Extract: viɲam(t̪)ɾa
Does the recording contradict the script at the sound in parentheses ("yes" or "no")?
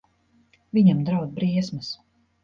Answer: yes